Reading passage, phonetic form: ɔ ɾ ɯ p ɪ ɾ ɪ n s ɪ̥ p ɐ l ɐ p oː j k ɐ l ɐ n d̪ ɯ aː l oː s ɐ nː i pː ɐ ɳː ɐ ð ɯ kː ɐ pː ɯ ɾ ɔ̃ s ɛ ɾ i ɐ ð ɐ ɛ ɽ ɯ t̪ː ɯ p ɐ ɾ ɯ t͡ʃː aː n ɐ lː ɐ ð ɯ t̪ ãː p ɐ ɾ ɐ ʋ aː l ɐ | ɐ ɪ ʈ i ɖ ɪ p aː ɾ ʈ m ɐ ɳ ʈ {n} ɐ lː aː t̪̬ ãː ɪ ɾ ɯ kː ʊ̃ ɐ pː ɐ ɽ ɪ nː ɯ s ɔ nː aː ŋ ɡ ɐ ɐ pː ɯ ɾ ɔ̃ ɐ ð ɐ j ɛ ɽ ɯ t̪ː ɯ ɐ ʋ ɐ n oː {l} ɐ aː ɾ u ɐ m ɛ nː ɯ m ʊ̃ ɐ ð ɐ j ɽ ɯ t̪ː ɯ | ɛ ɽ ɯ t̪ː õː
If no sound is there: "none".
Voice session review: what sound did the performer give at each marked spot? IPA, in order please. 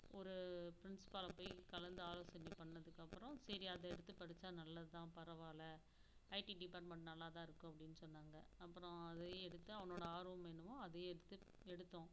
n, ɽ

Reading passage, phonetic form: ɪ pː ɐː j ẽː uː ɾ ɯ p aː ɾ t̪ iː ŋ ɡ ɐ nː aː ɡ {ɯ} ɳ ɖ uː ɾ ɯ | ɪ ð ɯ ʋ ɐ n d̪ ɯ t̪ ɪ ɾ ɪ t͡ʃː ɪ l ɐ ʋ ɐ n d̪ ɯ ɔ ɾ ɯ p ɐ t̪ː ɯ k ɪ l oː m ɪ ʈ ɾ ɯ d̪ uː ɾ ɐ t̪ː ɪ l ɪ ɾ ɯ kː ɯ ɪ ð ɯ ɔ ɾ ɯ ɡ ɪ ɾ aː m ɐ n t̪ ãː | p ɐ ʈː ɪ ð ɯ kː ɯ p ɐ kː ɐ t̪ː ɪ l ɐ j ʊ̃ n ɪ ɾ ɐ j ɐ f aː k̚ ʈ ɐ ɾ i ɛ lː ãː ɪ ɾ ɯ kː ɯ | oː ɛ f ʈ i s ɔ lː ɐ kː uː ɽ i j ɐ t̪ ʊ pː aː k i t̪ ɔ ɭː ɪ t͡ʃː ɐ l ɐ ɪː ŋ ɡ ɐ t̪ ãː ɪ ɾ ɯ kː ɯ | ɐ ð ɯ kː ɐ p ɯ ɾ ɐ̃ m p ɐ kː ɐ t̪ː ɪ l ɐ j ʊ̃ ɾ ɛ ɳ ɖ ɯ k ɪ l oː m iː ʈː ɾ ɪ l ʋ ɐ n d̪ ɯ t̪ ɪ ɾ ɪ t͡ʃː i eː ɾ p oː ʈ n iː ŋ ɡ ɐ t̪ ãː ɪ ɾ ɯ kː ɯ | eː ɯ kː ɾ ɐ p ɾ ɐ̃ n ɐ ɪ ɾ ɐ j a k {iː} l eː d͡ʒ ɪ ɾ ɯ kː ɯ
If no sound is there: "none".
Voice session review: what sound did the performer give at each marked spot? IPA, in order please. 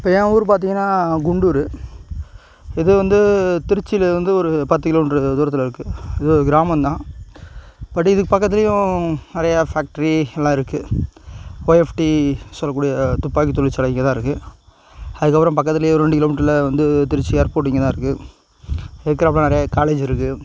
ʊ, aː

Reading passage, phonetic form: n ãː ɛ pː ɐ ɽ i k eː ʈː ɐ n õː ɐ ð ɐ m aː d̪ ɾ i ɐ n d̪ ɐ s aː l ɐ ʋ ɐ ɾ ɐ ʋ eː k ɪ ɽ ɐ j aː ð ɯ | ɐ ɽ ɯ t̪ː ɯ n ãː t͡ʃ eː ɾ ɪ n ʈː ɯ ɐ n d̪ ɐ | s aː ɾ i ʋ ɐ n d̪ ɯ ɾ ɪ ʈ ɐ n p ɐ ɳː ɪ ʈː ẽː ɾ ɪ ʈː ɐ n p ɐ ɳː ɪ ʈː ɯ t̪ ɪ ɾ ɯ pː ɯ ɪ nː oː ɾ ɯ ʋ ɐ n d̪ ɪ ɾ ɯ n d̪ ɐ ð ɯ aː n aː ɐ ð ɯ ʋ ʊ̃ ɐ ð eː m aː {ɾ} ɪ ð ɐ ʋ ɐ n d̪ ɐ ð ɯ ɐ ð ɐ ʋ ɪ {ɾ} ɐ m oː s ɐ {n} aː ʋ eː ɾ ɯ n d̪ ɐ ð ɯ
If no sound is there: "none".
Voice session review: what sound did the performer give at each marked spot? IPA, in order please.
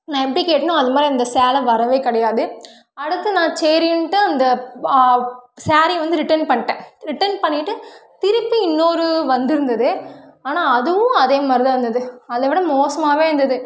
ɾ, ɽ, m

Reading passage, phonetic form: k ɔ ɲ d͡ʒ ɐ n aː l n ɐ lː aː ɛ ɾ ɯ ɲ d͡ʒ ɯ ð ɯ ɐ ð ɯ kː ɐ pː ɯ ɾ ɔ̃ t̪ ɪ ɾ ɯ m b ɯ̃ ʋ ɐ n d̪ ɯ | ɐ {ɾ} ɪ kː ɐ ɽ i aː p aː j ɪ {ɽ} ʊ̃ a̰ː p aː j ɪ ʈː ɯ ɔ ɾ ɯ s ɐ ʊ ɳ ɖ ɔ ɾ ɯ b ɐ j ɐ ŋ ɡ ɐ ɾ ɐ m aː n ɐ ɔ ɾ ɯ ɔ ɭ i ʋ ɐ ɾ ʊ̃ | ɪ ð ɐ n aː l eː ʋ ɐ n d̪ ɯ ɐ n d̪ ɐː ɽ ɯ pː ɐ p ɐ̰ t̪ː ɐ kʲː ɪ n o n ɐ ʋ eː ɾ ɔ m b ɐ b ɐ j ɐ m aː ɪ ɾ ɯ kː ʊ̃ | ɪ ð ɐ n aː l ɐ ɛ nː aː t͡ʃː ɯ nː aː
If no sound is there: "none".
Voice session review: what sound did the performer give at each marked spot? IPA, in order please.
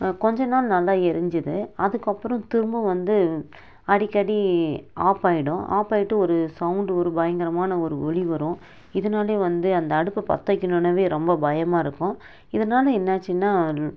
ɽ, ɽ

